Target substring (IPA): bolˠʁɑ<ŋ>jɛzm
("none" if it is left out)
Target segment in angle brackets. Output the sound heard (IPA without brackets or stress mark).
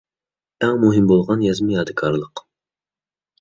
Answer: n